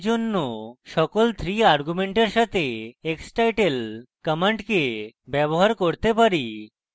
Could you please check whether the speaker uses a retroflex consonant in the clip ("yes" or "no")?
yes